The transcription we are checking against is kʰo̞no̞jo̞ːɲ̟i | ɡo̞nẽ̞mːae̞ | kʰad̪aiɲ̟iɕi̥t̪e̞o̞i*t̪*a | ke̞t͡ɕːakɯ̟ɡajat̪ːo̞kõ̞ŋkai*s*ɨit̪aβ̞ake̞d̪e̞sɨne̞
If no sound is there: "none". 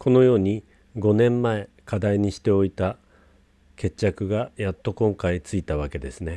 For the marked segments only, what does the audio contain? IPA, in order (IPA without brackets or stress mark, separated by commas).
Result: t̪, t͡s